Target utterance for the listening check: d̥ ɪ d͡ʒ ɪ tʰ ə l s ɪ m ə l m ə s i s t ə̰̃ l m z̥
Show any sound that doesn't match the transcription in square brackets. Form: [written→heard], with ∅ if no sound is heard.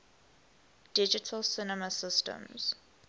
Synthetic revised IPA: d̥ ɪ d͡ʒ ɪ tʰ ə l s ɪ [m→n] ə [l→∅] m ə s [i→ɪ] s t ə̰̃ [l→∅] m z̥